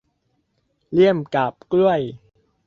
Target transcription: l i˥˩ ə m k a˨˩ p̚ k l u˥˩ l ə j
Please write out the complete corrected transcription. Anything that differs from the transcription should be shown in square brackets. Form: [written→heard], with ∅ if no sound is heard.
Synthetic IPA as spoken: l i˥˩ ə m k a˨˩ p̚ k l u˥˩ [l→∅] ə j